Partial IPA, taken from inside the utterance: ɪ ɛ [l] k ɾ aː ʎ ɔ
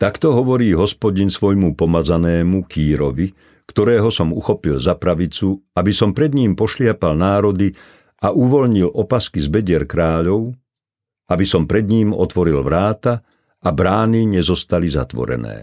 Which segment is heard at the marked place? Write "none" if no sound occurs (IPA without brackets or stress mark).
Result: ɾ